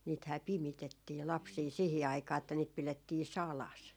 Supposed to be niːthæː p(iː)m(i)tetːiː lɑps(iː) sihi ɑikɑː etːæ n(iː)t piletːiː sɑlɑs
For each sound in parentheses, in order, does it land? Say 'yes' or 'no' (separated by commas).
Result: no, yes, yes, yes